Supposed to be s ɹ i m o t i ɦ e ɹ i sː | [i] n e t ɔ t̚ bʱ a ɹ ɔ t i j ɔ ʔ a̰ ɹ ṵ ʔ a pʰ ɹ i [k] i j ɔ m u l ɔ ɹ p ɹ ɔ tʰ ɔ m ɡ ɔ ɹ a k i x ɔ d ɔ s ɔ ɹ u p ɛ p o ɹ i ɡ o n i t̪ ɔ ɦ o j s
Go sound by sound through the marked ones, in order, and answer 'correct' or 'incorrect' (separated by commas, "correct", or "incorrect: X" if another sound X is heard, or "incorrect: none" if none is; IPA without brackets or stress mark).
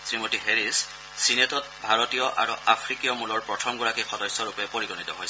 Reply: correct, correct